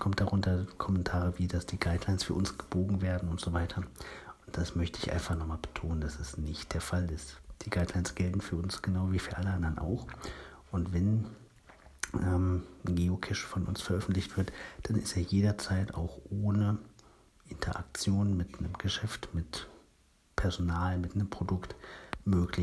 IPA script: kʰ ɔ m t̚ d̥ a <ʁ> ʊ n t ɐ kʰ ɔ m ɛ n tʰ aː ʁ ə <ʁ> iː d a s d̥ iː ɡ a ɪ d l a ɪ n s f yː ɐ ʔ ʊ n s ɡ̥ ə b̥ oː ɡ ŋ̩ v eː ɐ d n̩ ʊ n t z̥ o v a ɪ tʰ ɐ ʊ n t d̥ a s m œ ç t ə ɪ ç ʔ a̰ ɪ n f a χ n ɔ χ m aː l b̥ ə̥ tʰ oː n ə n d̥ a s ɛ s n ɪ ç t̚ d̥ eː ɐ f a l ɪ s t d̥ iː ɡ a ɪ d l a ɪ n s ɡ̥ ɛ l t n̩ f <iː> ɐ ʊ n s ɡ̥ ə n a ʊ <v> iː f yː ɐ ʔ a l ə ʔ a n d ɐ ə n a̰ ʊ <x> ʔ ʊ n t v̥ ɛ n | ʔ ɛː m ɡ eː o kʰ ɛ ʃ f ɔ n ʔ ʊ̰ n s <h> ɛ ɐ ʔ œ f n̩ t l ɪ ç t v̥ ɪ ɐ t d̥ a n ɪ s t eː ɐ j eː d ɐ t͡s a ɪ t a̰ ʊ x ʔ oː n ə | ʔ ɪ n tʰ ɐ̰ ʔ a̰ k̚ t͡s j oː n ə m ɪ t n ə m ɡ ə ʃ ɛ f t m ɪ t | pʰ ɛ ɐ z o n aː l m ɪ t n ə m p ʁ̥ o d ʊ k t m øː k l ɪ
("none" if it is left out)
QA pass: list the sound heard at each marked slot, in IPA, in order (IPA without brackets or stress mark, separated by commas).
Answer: ʁ, v, yː, v, x, f